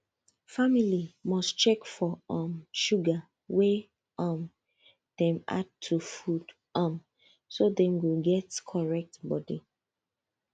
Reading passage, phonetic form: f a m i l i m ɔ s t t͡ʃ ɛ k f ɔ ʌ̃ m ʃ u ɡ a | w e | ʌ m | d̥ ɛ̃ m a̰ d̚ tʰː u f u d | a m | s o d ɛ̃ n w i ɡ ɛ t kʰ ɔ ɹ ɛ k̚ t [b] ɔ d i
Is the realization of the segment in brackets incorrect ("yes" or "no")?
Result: no